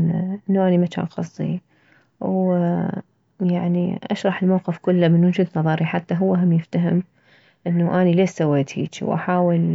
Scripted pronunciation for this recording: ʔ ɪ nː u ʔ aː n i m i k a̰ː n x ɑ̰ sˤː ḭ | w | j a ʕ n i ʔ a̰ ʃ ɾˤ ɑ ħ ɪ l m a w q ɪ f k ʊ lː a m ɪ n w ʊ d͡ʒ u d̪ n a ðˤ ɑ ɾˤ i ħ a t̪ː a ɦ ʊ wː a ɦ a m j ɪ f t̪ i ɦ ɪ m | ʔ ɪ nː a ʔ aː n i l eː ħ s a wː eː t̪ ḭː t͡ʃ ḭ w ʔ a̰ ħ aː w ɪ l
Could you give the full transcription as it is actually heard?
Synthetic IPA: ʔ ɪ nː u ʔ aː n i m a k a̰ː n x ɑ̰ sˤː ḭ | w | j a ʕ n i ʔ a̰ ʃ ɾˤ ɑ ħ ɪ l m a w q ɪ f k ʊ lː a m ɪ n w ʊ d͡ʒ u d̪ n ɑ ðˤ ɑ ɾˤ i ħ a t̪ː a ɦ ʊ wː a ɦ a m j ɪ f t̪ a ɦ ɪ m | ʔ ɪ nː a ʔ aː n i l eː ʃ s a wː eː t̪ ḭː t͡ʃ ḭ w ʔ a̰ ħ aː w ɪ l

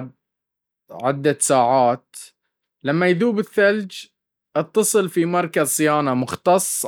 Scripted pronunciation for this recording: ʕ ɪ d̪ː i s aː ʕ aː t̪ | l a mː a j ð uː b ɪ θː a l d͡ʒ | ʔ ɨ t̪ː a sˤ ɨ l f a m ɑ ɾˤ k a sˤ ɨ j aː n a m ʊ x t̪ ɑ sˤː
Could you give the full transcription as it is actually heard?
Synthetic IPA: ʕ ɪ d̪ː a s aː ʕ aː t̪ | l a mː a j ð uː b ɪ θː a l d͡ʒ | ʔ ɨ t̪ː ɑ sˤ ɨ l f i m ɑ ɾˤ k a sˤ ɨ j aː n a m ʊ x t̪ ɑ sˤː

